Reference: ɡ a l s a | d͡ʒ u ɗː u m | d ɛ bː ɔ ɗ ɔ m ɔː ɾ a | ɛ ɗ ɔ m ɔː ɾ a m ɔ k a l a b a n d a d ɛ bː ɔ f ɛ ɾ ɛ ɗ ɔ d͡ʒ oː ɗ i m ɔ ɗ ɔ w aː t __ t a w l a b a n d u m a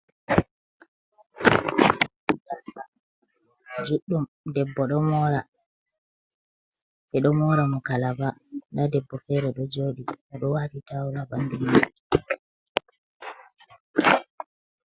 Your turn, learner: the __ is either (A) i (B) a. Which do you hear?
A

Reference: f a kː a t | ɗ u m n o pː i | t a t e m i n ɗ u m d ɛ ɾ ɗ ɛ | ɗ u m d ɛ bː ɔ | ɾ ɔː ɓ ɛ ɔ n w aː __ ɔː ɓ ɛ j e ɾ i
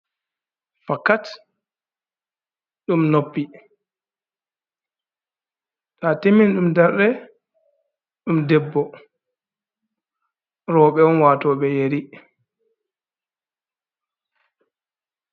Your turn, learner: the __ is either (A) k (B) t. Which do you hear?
B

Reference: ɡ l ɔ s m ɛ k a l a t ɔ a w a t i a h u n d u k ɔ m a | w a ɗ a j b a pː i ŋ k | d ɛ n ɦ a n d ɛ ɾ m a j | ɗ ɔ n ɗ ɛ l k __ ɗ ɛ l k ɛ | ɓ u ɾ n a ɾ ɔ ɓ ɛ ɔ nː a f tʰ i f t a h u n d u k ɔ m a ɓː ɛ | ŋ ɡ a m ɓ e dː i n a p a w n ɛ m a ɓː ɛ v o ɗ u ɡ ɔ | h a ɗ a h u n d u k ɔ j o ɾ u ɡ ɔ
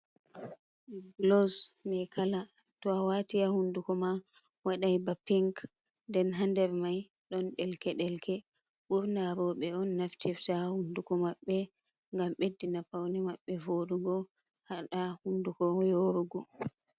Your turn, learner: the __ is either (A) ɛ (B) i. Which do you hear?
A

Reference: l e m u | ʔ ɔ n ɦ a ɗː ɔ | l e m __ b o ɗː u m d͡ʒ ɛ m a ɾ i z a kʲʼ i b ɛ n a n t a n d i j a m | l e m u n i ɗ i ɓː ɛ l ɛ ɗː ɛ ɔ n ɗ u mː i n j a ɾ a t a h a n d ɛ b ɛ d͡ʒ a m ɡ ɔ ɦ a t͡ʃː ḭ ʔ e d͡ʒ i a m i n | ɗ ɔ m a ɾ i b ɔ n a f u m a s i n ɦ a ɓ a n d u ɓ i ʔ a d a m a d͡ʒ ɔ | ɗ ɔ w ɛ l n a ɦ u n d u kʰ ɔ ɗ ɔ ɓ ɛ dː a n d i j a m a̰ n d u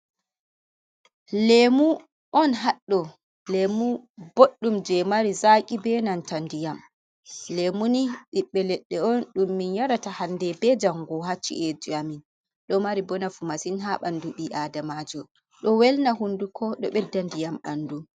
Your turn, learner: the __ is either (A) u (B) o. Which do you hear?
A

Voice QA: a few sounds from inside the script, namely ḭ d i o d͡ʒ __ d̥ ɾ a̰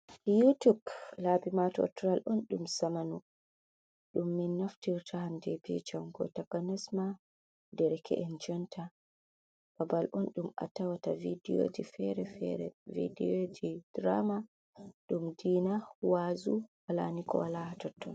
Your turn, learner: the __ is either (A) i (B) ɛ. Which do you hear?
A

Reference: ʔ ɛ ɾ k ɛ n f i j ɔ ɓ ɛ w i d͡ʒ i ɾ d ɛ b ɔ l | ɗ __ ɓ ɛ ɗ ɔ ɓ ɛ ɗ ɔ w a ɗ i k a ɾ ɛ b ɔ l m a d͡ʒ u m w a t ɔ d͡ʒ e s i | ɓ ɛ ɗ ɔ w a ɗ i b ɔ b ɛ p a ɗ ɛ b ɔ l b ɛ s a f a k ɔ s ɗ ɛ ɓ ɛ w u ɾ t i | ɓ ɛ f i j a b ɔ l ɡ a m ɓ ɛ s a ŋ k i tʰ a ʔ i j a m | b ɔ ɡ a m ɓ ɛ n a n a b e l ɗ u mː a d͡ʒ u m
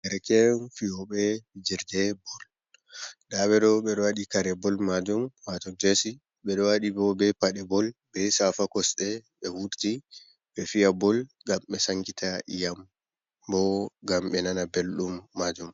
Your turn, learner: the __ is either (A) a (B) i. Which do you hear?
A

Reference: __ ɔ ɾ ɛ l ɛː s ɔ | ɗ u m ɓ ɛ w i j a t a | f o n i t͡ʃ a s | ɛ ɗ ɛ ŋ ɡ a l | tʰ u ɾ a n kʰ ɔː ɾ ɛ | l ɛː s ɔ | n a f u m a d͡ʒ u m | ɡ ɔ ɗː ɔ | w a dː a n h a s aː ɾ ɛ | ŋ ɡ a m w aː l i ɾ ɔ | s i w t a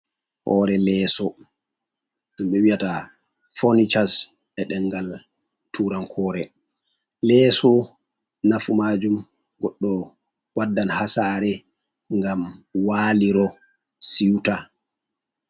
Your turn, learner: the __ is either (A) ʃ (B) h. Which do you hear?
B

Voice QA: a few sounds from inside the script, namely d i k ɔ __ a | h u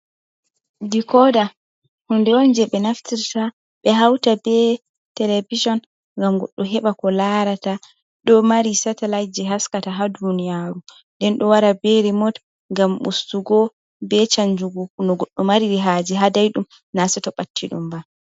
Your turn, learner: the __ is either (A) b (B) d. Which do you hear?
B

